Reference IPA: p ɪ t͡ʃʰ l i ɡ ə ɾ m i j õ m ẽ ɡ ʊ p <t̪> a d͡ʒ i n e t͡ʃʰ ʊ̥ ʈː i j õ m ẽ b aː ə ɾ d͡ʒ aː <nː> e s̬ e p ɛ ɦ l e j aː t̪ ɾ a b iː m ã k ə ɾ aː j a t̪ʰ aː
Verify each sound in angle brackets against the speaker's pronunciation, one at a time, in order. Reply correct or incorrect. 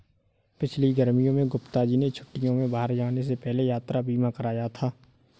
correct, incorrect: n

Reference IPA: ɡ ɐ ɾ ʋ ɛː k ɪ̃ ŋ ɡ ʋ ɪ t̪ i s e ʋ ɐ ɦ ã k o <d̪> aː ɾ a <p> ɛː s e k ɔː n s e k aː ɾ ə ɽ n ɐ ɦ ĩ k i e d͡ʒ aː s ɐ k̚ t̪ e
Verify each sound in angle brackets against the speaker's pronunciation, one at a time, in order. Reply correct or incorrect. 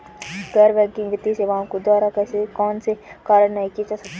correct, incorrect: k

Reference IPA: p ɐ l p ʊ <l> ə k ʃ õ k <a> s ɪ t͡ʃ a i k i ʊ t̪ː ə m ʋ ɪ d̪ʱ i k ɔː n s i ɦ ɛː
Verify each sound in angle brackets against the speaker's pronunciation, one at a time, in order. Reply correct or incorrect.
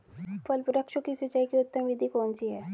incorrect: ɾ, incorrect: i

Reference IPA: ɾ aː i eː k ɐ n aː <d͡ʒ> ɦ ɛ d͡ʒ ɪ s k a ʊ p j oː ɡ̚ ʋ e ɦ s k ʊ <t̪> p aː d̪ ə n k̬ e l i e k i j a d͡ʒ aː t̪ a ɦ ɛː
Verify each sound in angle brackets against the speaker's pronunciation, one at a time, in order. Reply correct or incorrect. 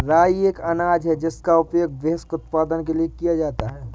correct, correct

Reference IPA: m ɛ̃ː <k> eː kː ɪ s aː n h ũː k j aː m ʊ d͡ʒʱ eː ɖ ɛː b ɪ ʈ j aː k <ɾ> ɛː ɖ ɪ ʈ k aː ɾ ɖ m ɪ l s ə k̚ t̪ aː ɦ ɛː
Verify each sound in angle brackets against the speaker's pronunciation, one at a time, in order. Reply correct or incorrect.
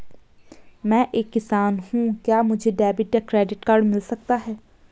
incorrect: ʔ, correct

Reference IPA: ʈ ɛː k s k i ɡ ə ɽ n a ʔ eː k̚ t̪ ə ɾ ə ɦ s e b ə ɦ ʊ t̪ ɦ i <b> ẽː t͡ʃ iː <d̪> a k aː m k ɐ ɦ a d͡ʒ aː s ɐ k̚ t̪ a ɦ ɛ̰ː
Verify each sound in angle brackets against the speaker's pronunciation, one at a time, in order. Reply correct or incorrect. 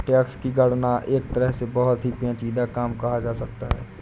incorrect: p, correct

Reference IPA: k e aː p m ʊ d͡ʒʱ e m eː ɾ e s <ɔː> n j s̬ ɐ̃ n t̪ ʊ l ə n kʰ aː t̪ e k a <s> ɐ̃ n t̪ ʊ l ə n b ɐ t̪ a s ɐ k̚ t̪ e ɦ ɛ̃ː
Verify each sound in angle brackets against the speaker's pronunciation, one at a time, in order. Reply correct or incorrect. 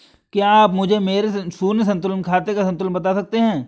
incorrect: uː, correct

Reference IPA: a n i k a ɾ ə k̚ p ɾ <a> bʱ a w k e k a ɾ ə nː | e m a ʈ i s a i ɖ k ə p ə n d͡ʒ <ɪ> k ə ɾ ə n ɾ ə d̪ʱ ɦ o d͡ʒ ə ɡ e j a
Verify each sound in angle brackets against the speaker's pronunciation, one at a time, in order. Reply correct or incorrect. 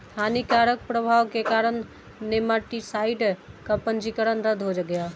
incorrect: ə, incorrect: i

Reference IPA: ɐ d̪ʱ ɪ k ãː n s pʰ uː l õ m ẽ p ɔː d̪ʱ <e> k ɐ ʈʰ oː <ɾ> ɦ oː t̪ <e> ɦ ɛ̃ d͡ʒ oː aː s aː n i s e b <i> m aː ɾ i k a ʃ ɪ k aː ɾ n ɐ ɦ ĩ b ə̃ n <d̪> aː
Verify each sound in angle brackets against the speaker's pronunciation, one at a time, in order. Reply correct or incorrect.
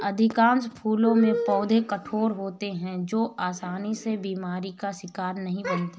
correct, correct, correct, incorrect: iː, incorrect: t̪

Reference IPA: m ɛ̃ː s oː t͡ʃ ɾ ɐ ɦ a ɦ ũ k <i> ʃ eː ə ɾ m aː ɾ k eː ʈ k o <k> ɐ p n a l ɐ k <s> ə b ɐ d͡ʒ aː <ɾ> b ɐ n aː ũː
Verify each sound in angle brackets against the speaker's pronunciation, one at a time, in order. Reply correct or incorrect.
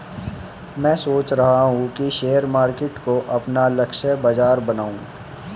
correct, incorrect: ʔ, incorrect: ʃ, correct

